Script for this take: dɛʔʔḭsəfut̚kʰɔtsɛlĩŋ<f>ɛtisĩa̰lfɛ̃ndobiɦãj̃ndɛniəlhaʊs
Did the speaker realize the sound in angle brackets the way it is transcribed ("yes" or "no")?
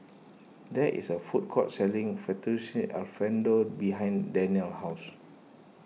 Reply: yes